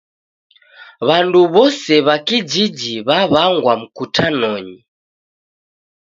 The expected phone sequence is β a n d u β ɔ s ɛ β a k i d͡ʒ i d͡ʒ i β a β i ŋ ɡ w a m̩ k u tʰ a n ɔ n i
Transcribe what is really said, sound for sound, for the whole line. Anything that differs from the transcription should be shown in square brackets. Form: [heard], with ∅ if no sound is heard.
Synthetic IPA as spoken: β a n d u β ɔ s ɛ β a k i d͡ʒ i d͡ʒ i β a β [a] ŋ ɡ w a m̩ k u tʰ a n ɔ [ɲ] i